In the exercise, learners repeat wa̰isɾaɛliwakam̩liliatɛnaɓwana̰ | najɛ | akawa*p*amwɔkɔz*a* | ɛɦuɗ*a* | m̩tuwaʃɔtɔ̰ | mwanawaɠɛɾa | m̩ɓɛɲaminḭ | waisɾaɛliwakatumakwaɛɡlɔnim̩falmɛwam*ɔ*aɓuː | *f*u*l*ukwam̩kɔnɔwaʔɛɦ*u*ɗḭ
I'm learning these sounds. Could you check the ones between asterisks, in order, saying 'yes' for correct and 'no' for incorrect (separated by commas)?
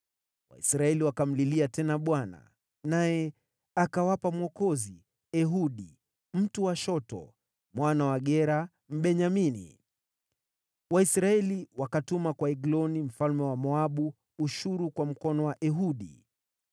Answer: yes, no, no, yes, no, no, yes